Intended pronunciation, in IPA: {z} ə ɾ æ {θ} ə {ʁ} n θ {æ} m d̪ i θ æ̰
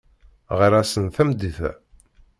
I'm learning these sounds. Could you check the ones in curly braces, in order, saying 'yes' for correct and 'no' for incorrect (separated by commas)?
no, no, no, yes